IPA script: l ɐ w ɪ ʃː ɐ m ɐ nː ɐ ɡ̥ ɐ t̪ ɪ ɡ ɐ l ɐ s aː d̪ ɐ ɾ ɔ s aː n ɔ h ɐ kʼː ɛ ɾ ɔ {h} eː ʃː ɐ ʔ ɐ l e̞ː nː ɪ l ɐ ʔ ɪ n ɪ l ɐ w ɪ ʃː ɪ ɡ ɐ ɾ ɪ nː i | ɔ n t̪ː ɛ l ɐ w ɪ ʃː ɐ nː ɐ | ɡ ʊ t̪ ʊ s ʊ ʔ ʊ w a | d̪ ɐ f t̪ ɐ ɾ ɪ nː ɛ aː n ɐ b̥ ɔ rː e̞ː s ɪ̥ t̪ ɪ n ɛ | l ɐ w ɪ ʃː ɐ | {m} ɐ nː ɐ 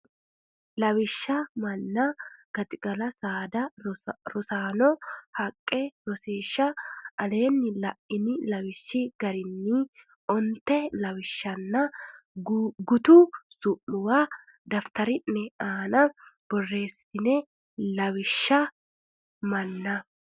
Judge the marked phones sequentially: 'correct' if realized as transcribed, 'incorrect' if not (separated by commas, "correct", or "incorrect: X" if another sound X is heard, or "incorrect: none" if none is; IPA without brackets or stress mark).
incorrect: s, correct